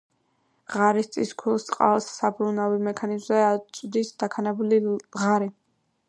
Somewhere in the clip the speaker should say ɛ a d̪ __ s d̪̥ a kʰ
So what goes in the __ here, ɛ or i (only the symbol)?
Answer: i